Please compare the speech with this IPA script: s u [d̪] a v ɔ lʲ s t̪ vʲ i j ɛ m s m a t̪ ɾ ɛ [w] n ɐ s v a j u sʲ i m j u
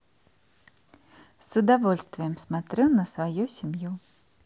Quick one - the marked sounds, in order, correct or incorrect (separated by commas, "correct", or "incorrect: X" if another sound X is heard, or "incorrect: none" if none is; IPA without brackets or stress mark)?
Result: correct, correct